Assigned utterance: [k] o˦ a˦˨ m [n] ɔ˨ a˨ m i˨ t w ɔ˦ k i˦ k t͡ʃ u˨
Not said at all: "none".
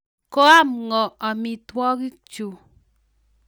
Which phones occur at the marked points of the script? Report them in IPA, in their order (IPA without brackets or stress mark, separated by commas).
k, ŋ